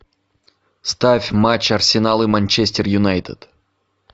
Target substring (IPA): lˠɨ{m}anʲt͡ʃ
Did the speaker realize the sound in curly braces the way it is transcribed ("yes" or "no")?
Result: yes